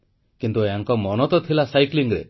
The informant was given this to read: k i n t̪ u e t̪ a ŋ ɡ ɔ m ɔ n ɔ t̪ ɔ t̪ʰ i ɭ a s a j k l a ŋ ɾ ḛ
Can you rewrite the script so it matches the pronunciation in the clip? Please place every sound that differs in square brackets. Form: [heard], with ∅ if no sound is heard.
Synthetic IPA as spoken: k i n t̪ u e [∅] a ŋ [k] ɔ m ɔ n ɔ t̪ ɔ t̪ʰ i [l] a s a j k l [i] ŋ ɾ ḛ